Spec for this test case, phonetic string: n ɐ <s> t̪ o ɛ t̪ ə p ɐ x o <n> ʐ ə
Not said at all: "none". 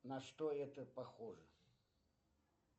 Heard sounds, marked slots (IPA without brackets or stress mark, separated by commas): ʂ, none